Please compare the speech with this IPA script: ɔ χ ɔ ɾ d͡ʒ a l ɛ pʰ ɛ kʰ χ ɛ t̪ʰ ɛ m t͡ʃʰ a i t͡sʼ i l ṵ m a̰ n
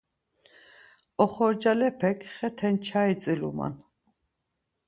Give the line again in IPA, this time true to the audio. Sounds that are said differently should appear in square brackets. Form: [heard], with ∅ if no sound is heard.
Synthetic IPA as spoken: ɔ χ ɔ ɾ d͡ʒ a l ɛ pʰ ɛ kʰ χ ɛ t̪ʰ ɛ [n] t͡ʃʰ a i t͡sʼ i l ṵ m a̰ n